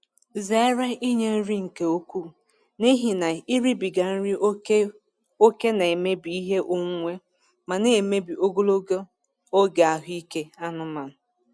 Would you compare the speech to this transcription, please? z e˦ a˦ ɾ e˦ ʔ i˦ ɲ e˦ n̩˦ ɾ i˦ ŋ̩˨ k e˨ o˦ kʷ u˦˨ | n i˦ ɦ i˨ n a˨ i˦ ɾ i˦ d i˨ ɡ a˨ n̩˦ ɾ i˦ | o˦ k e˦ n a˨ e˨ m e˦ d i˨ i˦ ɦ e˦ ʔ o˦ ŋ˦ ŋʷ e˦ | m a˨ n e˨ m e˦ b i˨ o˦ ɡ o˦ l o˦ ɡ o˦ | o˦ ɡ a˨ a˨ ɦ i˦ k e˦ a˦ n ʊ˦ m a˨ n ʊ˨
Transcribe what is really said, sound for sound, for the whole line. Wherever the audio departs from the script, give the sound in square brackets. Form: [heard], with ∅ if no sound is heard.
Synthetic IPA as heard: z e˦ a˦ ɾ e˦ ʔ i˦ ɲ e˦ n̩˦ ɾ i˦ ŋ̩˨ k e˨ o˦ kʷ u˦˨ | n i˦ ɦ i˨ n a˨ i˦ ɾ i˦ [b] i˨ ɡ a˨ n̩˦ ɾ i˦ | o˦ k e˦ n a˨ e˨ m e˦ [b] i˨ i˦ ɦ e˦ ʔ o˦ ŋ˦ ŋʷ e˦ | m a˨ n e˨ m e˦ b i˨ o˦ ɡ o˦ l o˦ ɡ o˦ | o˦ ɡ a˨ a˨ ɦ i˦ k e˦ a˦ n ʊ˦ m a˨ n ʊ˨

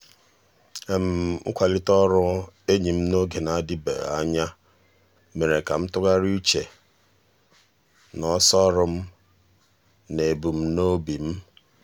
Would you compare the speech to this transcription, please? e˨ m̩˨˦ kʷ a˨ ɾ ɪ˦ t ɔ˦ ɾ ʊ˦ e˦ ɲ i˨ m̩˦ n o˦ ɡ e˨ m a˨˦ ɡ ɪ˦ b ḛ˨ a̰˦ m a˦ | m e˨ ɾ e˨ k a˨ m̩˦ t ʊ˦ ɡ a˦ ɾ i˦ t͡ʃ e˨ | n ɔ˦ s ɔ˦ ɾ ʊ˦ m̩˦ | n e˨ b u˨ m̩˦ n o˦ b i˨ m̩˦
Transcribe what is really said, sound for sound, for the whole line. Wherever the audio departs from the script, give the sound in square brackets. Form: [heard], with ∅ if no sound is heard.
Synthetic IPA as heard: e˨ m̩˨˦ kʷ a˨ [l] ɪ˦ t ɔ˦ ɾ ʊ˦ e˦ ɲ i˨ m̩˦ n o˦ ɡ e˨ [n] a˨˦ [d] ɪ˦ b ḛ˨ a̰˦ [ɲ] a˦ | m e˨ ɾ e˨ k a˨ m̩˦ t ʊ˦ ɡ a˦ ɾ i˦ t͡ʃ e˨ | n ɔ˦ s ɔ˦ ɾ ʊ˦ m̩˦ | n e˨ b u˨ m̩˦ n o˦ b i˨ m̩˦

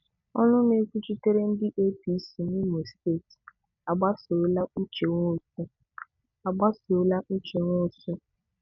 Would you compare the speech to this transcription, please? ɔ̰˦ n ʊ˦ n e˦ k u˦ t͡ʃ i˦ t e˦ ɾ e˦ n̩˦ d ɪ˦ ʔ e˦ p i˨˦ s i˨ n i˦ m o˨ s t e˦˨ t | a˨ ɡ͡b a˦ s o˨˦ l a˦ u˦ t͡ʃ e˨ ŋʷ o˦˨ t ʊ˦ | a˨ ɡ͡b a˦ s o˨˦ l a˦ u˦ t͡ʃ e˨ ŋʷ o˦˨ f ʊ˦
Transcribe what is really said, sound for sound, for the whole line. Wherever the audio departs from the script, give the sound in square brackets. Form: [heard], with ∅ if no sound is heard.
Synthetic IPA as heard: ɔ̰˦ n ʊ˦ n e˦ k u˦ t͡ʃ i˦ t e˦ ɾ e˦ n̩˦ d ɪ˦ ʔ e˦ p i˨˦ s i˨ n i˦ m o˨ s t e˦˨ t | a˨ ɡ͡b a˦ s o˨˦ l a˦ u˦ t͡ʃ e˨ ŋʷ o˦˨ [s] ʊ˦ | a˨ ɡ͡b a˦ s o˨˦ l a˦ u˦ t͡ʃ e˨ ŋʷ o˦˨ [s] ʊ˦

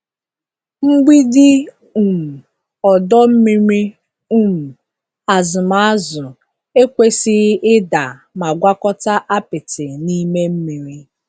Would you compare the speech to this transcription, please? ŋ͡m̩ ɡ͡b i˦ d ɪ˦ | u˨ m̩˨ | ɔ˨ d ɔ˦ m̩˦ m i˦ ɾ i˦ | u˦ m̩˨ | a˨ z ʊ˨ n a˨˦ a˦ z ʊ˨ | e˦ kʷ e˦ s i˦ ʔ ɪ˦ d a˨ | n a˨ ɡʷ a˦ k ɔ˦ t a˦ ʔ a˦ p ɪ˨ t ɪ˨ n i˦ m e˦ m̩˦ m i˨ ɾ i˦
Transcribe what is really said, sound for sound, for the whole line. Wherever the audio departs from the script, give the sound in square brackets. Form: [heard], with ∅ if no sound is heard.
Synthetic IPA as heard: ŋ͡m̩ ɡ͡b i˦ d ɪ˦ | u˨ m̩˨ | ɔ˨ d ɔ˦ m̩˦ m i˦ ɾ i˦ | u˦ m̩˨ | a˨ z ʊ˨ [m] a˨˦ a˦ z ʊ˨ | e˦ kʷ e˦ s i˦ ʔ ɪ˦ d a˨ | [m] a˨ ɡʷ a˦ k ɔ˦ t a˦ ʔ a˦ p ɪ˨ t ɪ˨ n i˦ m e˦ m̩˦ m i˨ ɾ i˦

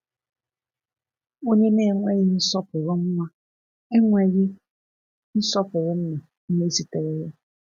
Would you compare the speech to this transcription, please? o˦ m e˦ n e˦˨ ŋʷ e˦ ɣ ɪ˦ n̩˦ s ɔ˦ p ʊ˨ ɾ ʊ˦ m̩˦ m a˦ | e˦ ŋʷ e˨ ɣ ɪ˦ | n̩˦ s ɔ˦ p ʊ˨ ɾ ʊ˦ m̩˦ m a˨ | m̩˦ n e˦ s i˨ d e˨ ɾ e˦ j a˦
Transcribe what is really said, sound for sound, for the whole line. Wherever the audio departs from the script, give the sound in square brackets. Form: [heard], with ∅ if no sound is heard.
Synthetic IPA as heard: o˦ [ɲ] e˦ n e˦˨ ŋʷ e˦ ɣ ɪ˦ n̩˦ s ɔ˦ p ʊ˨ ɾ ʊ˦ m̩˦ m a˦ | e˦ ŋʷ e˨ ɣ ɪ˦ | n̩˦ s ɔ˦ p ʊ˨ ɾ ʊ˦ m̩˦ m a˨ | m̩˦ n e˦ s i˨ [t] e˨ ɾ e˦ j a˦

